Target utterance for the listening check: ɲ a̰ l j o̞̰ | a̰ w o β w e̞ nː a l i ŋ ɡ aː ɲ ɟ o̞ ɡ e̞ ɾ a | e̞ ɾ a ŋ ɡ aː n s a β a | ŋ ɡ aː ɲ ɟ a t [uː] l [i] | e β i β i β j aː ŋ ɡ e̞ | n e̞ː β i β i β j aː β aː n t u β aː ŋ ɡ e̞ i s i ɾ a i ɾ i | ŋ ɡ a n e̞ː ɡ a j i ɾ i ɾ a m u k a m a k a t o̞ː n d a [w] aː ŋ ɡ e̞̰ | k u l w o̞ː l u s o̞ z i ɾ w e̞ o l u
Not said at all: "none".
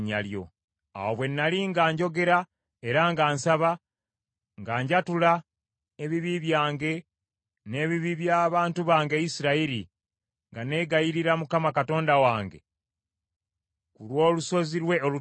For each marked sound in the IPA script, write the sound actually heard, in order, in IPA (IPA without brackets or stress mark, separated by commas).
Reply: u, a, w